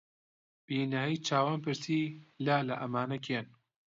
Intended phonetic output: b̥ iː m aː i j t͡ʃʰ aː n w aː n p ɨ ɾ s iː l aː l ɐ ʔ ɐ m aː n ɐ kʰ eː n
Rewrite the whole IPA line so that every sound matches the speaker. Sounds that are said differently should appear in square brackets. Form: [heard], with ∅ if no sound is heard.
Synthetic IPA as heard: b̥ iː [n] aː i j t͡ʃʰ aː [∅] w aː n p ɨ ɾ s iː l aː l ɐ ʔ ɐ m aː n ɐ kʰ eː n